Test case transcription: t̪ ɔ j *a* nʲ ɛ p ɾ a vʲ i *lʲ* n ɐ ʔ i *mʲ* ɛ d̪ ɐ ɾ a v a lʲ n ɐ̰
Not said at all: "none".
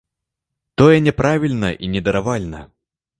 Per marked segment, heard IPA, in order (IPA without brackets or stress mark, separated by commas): ɛ, lʲ, nʲ